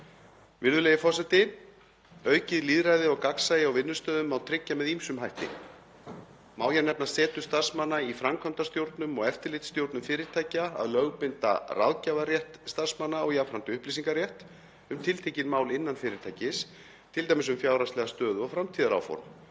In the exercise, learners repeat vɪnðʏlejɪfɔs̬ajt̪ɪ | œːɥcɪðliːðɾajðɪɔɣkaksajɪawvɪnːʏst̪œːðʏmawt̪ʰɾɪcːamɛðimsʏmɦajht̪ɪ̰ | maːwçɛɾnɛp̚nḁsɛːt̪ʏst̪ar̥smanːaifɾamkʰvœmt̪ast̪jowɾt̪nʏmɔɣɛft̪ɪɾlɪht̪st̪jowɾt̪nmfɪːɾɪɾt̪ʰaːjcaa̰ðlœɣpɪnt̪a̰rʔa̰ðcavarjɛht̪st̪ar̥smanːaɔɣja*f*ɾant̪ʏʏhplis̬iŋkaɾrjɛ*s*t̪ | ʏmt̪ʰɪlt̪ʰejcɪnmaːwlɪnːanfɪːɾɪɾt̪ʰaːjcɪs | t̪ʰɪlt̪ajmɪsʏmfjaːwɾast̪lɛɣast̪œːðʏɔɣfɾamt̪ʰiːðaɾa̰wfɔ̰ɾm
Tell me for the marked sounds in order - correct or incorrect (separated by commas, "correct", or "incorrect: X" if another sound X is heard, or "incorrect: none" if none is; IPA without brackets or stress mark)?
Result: correct, incorrect: h